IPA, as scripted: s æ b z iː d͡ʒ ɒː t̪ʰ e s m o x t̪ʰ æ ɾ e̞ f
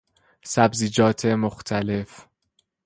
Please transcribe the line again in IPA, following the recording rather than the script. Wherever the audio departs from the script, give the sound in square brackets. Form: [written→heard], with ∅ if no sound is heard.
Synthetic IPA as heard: s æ b z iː d͡ʒ ɒː t̪ʰ e [s→∅] m o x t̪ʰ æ [ɾ→l] e̞ f